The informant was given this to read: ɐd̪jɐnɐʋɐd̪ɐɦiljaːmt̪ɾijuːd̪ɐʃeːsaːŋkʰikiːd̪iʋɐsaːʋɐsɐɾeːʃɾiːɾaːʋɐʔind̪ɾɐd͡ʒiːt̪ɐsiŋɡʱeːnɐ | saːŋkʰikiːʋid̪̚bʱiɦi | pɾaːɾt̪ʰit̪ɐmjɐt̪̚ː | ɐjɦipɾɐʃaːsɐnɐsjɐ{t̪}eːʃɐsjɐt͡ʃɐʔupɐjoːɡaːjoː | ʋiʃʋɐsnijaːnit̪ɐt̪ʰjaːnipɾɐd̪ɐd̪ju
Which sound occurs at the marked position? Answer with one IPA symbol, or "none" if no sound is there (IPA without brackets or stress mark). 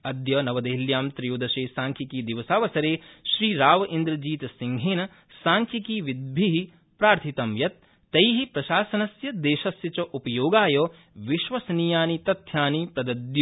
d̪